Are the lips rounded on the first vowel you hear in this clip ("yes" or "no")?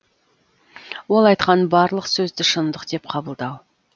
yes